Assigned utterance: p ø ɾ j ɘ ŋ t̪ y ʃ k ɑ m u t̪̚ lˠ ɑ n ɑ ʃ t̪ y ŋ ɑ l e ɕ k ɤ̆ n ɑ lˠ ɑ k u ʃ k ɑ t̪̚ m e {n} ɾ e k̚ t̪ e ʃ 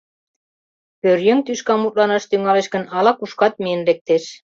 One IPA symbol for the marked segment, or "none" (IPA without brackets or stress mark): n